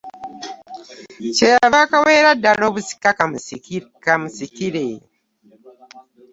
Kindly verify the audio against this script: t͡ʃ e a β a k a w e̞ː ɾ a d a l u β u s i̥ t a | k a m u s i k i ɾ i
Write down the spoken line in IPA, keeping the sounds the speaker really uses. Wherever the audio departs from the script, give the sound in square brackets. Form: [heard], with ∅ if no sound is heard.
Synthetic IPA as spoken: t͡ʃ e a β a k a w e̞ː ɾ a d a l [o] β u s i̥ [k] a | k a m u s i k i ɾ [e]